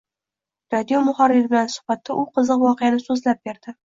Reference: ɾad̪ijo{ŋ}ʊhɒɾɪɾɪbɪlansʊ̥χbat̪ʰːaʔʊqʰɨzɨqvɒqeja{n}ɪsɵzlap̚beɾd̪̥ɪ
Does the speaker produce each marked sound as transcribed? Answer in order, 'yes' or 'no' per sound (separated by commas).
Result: no, yes